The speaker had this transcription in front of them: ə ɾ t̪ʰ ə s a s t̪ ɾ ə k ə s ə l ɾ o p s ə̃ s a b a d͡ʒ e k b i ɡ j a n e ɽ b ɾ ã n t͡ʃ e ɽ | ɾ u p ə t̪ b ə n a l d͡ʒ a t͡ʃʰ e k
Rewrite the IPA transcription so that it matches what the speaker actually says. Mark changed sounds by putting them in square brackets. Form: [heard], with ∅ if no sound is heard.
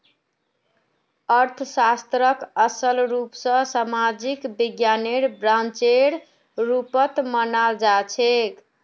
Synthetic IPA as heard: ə ɾ t̪ʰ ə s a s t̪ ɾ ə k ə s ə l ɾ [u] p s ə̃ s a [m] a d͡ʒ [i] k b i ɡ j a n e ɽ b ɾ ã n t͡ʃ e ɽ | ɾ u p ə t̪ [m] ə n a l d͡ʒ a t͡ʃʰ e k